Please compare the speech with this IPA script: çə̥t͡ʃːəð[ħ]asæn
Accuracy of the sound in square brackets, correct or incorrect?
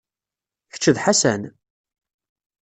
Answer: correct